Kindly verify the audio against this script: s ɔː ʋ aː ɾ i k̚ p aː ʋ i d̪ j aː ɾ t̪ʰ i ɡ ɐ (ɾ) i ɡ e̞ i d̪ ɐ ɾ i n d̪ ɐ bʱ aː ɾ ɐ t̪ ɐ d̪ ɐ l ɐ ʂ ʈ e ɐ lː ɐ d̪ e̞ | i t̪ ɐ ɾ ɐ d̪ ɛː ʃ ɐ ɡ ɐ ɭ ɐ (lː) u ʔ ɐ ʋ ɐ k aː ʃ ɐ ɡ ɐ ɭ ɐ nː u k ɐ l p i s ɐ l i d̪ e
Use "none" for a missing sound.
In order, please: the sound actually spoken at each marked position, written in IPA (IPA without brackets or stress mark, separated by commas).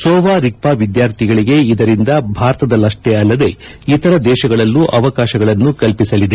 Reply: ɭ, lː